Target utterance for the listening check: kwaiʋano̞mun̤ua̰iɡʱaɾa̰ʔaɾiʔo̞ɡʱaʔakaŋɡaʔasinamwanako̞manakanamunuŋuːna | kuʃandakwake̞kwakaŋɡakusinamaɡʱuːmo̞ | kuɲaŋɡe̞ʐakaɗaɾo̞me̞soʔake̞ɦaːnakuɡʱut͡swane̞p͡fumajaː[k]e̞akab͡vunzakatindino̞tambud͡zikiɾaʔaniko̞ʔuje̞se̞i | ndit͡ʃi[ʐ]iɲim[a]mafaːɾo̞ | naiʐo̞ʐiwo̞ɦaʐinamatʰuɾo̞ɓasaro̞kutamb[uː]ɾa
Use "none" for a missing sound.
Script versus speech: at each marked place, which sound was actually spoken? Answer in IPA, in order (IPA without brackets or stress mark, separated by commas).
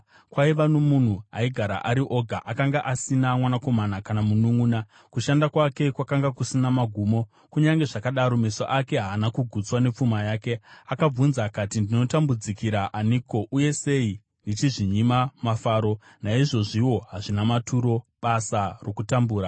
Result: k, ʐ, a, uː